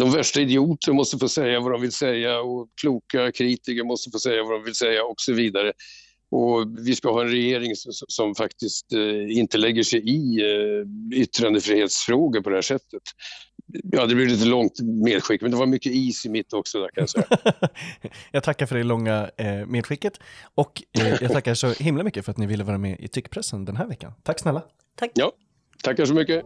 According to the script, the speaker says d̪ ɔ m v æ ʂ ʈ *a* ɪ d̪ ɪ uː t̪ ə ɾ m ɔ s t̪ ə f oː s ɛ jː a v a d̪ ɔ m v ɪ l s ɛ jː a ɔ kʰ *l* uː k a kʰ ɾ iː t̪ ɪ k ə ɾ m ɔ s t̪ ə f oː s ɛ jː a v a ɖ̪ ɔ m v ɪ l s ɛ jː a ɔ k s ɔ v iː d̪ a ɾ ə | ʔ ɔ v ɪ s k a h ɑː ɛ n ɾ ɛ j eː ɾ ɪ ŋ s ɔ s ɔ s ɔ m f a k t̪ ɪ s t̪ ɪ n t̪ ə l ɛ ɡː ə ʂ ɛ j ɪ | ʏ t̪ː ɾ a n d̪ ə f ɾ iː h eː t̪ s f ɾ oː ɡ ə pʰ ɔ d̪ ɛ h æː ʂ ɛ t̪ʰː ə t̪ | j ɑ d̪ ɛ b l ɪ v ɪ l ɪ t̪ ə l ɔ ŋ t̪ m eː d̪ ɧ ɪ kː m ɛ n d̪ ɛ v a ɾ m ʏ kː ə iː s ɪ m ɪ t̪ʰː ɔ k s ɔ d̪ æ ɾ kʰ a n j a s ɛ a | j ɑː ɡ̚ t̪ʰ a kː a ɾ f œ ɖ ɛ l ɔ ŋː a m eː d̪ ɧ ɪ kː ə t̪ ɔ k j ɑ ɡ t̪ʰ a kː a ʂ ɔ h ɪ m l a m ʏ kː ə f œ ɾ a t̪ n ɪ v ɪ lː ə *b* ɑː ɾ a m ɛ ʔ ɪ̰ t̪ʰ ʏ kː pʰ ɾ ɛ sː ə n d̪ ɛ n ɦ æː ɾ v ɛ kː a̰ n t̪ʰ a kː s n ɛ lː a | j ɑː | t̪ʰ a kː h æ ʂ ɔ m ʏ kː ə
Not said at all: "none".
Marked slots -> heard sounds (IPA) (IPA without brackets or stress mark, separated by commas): a, l, v